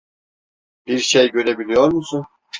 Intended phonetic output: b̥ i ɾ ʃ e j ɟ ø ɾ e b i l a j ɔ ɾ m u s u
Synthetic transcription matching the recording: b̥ i ɾ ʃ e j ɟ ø ɾ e b i l i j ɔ ɾ m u s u

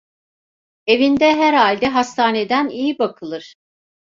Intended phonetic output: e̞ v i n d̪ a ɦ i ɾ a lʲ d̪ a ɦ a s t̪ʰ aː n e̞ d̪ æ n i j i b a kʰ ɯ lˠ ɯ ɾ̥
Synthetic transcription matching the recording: e̞ v i n d̪ ɛ ɦ æ ɾ a lʲ d̪ ɛ ɦ a s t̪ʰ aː n e̞ d̪ æ n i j i b a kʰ ɯ lˠ ɯ ɾ̥

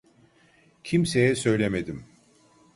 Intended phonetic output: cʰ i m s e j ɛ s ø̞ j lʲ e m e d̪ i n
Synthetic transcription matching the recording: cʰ i m s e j ɛ s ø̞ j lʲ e m e d̪ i m

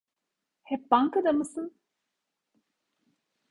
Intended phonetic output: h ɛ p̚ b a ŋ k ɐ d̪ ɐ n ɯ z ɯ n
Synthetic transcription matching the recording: h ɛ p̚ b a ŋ k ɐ d̪ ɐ m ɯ s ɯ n

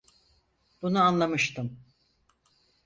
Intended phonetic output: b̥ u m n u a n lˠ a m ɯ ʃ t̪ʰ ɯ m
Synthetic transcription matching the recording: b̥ u n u a n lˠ a m ɯ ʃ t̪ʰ ɯ m

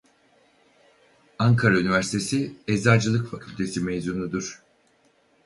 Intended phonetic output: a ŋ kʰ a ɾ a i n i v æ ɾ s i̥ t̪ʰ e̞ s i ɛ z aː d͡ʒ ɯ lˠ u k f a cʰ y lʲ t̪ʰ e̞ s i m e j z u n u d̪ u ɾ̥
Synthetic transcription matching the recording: a ŋ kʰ a ɾ a y n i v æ ɾ s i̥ t̪ʰ e̞ s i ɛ z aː d͡ʒ ɯ lˠ ɯ k f a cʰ y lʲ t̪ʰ e̞ s i m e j z u n u d̪ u ɾ̥

